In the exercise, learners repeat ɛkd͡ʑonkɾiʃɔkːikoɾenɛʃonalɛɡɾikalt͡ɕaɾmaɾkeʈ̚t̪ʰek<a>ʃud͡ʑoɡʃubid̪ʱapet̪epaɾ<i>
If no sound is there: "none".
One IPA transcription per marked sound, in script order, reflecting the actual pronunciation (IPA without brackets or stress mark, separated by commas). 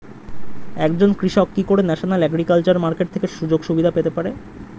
e, e